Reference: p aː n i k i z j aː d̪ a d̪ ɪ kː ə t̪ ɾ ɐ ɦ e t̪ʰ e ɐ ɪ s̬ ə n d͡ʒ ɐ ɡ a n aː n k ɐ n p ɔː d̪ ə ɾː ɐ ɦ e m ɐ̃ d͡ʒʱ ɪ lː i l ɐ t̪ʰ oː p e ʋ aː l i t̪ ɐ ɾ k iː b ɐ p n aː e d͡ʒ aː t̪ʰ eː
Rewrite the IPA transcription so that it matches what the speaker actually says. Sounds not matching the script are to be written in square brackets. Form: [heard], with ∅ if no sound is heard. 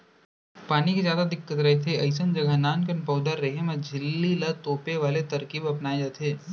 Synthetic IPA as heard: p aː n i k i z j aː d̪ a d̪ ɪ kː ə t̪ ɾ ɐ ɦ e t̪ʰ e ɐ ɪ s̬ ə n d͡ʒ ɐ ɡ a n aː n k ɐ n p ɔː d̪ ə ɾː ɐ ɦ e m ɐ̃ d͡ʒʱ ɪ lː i l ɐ [t̪] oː p e ʋ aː l [e] t̪ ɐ ɾ k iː b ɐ p n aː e d͡ʒ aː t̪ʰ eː